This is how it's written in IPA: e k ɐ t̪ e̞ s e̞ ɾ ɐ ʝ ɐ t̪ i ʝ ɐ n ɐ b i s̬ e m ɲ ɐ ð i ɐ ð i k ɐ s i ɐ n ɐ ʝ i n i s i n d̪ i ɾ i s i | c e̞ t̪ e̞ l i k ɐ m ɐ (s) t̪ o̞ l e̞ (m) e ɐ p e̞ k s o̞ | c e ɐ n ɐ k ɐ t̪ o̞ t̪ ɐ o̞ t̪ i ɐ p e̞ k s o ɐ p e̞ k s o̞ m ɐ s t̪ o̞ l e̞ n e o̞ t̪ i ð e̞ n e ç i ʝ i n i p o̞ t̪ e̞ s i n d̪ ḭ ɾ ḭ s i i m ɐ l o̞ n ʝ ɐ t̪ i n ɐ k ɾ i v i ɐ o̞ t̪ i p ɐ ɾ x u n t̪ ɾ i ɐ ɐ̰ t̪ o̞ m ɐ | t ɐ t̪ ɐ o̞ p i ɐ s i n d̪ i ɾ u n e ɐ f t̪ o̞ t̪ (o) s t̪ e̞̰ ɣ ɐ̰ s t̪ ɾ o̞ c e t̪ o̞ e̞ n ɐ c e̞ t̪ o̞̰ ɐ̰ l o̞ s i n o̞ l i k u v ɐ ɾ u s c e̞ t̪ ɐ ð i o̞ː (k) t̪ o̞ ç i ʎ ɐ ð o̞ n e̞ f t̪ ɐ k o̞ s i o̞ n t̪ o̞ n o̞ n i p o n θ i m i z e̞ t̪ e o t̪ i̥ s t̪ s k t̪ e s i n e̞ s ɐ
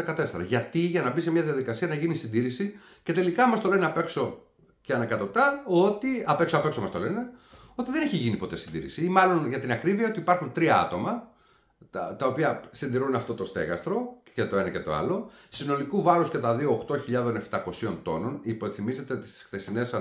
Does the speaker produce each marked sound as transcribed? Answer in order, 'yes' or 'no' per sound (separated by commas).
yes, no, yes, no